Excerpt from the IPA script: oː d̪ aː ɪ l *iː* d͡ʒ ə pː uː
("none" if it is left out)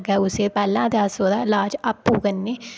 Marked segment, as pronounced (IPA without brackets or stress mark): aː